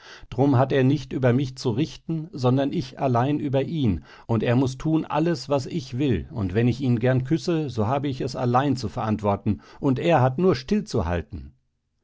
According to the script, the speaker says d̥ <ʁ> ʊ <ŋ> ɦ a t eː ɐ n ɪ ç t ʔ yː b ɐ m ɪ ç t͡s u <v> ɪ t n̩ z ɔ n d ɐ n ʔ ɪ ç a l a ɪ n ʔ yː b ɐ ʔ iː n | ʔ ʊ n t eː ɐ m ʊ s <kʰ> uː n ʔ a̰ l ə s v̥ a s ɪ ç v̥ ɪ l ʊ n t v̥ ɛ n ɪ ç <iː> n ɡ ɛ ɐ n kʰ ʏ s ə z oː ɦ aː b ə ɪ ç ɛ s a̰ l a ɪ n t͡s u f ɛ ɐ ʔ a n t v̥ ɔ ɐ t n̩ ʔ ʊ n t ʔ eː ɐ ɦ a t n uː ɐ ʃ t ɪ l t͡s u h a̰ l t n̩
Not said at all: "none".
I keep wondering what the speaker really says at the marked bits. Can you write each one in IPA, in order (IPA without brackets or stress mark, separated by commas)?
ʁ, m, ʁ, tʰ, iː